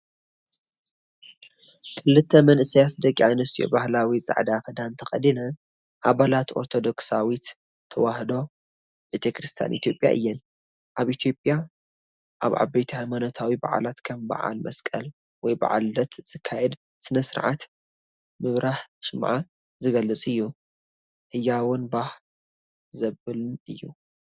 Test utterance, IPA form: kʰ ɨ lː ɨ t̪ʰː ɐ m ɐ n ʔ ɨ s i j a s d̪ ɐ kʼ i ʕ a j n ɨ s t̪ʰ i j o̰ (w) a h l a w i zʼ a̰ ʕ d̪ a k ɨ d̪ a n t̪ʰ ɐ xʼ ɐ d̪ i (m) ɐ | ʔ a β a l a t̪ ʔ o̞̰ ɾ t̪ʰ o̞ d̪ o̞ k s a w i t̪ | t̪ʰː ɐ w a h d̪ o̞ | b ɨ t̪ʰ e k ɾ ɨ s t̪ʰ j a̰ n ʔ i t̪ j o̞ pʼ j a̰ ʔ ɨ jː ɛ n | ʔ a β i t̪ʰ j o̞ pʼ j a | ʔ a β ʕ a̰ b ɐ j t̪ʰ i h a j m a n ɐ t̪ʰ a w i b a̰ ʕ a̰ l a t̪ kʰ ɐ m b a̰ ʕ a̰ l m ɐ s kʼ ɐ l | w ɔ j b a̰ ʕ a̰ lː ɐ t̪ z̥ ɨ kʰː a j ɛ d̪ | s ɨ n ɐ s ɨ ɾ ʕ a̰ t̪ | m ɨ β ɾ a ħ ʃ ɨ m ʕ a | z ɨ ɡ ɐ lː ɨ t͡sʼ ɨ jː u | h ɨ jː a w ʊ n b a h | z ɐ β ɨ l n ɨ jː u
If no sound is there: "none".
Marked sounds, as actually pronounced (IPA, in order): b, n

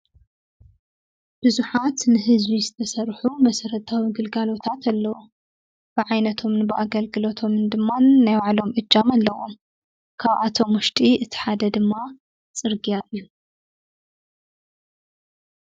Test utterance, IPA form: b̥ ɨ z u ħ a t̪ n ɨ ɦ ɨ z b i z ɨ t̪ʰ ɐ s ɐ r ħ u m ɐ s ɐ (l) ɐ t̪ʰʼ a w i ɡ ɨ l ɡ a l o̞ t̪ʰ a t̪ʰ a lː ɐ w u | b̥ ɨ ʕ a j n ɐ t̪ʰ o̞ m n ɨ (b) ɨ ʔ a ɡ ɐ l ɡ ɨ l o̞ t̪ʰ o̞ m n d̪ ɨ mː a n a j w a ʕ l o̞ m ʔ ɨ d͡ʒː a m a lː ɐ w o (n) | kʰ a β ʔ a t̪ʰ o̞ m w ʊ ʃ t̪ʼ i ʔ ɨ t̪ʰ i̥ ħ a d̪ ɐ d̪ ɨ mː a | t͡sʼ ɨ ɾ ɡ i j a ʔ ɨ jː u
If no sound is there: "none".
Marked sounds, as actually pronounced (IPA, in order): ɾ, b, m

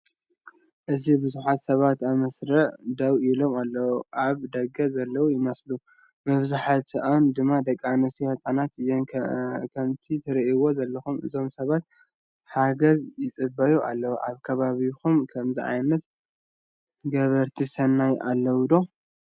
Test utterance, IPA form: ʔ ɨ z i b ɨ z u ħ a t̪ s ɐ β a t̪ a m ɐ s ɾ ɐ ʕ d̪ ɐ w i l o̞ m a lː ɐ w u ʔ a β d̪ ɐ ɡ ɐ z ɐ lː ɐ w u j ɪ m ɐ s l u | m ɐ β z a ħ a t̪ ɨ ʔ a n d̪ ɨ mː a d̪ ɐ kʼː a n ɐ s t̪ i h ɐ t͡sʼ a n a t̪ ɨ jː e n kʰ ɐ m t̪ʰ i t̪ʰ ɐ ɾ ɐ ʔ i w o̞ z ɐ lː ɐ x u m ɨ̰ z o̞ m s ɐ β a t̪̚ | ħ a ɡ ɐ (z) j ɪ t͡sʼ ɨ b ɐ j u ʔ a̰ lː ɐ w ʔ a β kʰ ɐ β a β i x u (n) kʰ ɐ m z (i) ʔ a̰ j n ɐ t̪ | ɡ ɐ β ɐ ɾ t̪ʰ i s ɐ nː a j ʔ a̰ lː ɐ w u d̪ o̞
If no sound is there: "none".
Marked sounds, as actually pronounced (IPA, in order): z, m, i

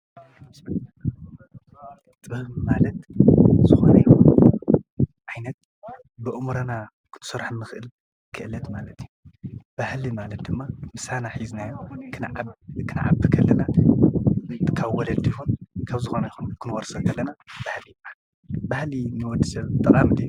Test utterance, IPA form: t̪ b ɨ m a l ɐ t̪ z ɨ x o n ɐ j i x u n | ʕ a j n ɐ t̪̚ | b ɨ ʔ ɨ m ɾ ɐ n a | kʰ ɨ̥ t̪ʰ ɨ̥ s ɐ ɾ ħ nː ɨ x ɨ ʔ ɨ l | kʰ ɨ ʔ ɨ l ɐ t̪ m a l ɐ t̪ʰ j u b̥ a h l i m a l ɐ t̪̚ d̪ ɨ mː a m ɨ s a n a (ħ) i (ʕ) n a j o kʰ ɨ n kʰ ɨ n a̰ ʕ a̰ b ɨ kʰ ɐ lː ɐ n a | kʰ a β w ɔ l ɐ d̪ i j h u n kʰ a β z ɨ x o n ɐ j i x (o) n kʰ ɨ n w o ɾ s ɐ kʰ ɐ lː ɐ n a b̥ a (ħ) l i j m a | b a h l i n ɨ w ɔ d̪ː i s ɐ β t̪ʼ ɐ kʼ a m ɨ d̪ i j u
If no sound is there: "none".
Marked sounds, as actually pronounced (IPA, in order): ħ, z, u, h

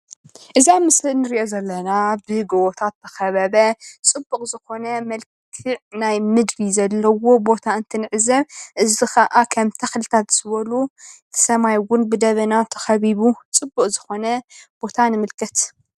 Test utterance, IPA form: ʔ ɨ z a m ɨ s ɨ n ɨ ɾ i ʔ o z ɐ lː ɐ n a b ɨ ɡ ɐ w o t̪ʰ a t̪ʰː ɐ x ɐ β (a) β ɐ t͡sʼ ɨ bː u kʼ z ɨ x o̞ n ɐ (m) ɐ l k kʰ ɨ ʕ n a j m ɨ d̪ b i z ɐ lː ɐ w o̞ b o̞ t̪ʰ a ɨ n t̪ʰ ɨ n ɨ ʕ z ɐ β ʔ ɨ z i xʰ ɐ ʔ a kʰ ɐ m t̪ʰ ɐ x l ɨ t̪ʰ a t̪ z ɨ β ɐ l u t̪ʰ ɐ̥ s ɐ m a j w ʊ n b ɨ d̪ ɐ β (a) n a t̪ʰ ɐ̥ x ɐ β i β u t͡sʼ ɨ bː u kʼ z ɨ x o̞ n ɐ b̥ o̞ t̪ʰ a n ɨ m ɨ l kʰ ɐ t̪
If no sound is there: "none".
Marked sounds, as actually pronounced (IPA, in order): ɐ, m, ɐ

